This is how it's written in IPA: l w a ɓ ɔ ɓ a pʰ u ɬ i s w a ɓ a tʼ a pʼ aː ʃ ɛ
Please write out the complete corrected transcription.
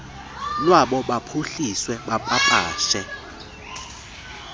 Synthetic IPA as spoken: l w a ɓ ɔ ɓ a pʰ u ɬ i s w ɛ ɓ a pʼ a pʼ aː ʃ ɛ